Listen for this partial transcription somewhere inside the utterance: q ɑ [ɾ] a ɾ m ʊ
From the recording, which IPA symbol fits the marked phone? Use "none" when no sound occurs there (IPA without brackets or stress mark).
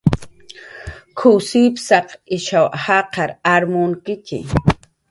ɾ